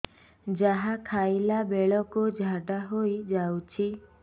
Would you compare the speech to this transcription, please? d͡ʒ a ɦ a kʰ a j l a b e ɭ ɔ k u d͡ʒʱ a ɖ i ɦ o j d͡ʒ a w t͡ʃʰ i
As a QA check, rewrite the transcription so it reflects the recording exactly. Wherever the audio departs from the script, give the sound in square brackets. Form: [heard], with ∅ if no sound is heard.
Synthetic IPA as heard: d͡ʒ a ɦ a kʰ a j l a b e ɭ ɔ k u d͡ʒʱ a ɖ [a] ɦ o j d͡ʒ a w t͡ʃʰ i